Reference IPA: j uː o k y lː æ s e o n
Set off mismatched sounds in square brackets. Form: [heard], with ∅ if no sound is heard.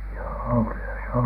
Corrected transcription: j [oː] o k y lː æ s e o n